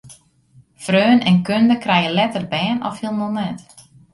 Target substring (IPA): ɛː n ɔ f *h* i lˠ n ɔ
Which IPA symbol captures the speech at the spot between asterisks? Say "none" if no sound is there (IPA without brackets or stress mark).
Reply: h